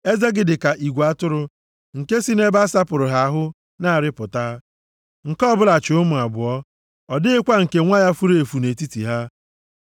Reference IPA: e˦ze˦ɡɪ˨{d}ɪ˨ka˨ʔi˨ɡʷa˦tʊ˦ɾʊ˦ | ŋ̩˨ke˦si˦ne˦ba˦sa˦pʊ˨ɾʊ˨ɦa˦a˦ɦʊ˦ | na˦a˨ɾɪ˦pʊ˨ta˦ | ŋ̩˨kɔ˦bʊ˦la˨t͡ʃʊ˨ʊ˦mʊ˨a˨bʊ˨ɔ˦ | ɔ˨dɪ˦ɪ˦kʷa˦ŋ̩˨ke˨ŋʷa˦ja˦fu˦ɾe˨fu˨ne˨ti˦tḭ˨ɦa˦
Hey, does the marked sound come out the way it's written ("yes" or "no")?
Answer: yes